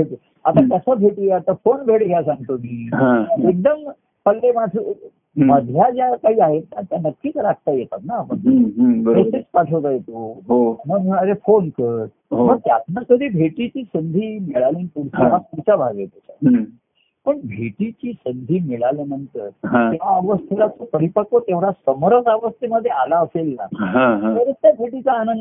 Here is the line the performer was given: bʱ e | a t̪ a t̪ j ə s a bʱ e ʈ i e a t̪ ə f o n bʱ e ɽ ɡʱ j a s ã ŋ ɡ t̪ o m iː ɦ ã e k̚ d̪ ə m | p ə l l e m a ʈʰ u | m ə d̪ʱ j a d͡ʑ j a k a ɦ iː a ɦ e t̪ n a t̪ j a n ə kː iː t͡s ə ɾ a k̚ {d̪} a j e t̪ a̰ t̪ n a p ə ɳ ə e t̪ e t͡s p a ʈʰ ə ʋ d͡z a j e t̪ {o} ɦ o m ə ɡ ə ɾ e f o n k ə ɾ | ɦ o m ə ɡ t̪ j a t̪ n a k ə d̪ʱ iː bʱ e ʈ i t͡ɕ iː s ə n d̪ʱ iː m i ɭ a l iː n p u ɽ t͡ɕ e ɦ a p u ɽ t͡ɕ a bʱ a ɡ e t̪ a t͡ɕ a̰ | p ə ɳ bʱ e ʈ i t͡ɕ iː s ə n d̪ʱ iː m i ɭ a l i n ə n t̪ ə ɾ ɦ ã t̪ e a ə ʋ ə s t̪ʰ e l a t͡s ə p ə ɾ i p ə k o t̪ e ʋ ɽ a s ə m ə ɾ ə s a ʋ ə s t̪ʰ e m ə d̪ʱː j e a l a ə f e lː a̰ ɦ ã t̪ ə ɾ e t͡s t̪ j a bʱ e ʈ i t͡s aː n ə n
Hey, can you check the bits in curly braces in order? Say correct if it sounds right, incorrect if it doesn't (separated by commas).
incorrect, correct